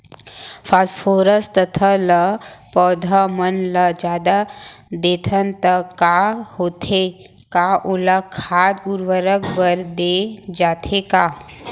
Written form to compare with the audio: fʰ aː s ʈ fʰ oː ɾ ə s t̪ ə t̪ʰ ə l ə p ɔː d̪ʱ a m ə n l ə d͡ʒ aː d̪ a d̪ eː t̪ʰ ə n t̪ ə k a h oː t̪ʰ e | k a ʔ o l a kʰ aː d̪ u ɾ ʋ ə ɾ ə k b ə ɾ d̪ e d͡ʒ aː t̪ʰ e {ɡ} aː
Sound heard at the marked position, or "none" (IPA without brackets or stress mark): k